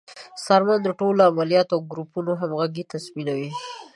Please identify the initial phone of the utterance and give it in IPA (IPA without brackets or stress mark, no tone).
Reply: s